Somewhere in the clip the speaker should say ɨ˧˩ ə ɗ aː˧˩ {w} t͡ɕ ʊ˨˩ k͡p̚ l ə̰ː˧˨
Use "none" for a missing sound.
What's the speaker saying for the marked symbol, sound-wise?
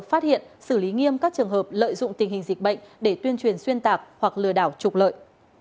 w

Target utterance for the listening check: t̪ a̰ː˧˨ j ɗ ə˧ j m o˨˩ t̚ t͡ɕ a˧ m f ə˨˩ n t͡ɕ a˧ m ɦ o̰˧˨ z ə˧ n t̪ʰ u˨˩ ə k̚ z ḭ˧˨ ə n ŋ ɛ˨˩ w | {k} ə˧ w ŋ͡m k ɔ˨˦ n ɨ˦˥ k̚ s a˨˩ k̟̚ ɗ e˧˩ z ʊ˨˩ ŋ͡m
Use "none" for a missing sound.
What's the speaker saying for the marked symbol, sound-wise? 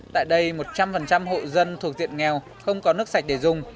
x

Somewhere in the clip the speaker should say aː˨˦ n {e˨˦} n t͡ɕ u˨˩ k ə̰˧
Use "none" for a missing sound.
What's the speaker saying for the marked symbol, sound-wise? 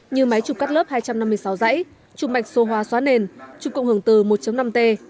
e˧˩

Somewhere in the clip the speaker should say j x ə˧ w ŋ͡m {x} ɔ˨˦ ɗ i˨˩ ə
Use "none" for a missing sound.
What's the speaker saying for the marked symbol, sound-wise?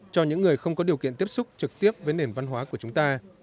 k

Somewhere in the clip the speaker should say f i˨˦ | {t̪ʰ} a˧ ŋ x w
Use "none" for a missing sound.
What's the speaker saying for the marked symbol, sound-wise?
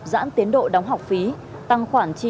t̪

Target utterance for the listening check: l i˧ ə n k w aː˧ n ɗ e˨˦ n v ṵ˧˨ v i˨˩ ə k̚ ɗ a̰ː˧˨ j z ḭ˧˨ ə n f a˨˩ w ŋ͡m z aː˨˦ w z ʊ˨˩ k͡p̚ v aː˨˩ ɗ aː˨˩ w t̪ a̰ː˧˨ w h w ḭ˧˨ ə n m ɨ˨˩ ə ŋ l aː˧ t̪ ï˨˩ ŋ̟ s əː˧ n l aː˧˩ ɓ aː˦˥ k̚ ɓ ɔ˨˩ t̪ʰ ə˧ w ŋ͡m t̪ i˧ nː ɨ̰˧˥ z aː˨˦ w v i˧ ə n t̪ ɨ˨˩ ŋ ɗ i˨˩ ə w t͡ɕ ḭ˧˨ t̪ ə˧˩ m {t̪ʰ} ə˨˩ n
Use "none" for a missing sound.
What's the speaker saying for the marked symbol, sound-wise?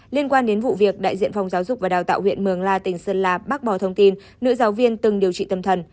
t̪ʰ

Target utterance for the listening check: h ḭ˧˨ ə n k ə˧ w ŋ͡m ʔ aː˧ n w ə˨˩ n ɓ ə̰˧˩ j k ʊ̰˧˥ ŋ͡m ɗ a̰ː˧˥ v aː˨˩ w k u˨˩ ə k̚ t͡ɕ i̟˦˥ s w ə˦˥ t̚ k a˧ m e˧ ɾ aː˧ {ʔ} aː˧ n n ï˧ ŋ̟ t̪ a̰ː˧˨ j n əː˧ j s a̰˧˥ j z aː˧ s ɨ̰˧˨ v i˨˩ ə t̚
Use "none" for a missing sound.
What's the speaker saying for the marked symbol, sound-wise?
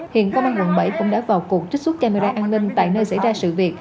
ʔ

